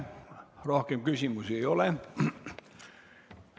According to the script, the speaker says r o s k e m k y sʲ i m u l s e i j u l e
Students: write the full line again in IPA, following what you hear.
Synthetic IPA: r o h k e m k y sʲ i m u s e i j o l e